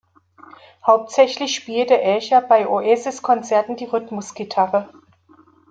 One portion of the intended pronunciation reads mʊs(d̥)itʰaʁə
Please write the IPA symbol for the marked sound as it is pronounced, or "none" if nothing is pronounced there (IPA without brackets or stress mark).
ɡ̥